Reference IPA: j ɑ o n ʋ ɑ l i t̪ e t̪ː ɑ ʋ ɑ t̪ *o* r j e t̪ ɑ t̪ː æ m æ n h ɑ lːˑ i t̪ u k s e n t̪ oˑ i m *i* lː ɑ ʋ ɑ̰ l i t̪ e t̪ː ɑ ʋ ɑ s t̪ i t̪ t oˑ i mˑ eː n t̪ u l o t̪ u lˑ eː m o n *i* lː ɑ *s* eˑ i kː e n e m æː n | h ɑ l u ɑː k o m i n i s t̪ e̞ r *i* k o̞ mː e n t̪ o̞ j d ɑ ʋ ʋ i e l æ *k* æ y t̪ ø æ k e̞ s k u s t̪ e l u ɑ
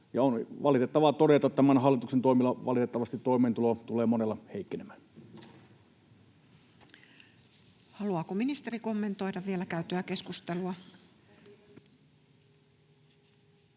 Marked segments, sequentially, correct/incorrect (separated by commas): correct, correct, incorrect, incorrect, correct, correct